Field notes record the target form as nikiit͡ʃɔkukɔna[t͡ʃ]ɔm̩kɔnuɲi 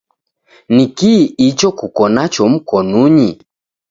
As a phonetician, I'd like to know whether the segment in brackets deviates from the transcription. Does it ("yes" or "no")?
no